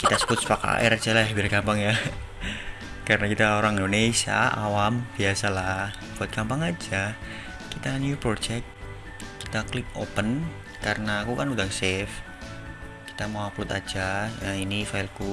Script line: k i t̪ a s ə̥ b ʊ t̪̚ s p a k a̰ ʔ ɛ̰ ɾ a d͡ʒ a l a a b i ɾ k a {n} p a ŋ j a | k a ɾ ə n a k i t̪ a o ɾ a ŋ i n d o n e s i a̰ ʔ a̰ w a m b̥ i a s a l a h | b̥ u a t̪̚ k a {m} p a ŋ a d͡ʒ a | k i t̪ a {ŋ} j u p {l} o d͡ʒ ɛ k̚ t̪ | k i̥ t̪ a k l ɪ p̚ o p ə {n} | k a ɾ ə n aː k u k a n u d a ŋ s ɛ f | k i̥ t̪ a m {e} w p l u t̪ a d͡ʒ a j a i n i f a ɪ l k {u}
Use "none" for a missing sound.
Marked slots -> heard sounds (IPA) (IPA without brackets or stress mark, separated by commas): m, m, n, ɾ, n, a, u